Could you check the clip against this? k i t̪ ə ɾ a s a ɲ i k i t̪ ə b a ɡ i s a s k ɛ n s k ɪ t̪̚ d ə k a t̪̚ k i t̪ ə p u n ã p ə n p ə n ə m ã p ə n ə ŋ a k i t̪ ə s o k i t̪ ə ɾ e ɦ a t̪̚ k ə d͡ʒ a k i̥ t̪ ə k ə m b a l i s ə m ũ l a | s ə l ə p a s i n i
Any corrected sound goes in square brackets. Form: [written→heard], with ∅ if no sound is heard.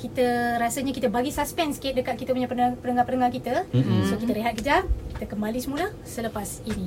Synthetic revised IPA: k i t̪ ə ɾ a s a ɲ [i→a] k i t̪ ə b a ɡ i s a s [k→p] ɛ n s k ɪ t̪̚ d ə k a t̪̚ k i t̪ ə p u [n→ɲ] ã p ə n p ə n ə [m→ŋ] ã p ə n ə ŋ a k i t̪ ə s o k i t̪ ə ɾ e ɦ a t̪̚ k ə d͡ʒ a k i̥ t̪ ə k ə m b a l i s ə m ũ l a | s ə l ə p a s i n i